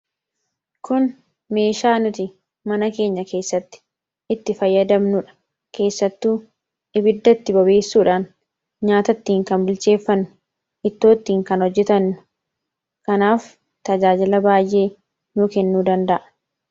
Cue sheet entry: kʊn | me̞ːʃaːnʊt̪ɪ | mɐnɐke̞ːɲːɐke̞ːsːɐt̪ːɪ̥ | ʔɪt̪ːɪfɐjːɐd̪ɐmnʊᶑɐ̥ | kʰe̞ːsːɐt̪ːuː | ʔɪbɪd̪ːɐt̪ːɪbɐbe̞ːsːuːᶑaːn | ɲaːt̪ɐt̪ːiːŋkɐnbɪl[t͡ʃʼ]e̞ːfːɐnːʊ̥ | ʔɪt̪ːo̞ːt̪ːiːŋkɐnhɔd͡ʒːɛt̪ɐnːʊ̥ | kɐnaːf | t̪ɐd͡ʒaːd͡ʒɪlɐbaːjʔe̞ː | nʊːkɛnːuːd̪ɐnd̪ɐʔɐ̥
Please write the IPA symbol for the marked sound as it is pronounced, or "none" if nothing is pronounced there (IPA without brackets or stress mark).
t͡ʃ